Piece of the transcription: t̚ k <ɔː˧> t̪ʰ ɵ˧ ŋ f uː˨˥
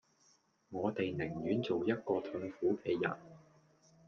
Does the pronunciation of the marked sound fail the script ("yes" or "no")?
no